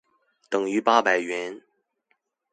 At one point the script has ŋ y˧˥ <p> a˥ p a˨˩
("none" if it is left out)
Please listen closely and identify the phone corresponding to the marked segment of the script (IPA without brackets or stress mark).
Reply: p